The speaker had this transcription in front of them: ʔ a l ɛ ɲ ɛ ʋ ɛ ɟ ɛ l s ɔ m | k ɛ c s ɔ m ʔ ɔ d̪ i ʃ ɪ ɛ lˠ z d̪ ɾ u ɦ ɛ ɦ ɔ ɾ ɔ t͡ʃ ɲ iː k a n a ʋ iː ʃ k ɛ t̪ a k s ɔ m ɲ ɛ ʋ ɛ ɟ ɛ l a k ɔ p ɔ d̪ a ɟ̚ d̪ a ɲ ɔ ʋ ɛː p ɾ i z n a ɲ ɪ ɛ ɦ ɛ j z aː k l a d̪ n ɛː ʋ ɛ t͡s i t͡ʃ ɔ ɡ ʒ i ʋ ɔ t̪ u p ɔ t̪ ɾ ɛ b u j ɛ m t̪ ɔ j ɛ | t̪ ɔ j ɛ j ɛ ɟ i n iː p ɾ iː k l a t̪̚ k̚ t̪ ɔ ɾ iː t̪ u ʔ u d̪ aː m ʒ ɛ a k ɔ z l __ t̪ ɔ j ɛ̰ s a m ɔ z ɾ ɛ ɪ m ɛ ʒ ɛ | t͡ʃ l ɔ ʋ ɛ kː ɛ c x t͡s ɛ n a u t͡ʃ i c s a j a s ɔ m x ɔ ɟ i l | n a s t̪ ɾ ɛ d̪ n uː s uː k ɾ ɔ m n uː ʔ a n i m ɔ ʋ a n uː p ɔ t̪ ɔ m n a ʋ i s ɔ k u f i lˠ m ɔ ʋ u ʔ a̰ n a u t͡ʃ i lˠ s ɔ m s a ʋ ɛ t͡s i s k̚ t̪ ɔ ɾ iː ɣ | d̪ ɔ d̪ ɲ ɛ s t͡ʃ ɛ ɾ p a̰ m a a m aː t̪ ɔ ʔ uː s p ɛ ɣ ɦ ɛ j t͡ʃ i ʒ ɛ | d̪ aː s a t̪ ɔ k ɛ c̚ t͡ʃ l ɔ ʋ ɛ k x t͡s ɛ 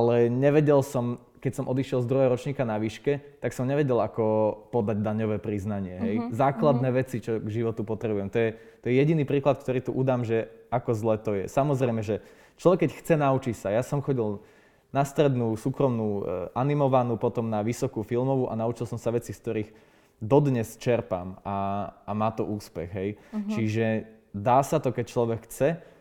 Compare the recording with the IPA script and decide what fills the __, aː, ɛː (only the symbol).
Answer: ɛː